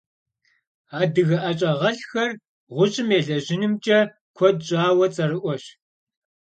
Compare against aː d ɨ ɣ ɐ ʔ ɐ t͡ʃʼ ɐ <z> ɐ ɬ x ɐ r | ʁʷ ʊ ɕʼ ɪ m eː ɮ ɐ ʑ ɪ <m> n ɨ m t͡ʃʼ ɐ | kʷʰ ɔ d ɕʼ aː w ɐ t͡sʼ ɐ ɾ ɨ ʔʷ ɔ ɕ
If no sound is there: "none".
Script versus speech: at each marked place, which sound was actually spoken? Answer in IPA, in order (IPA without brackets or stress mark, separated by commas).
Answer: ʁ, none